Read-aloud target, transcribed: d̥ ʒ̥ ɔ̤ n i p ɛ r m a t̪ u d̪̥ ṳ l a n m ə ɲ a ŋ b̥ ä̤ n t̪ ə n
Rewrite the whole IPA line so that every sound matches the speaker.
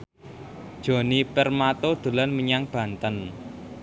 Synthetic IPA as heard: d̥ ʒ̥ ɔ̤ n i p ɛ r m a t̪ o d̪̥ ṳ l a n m ə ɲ a ŋ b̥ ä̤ n t̪ ə n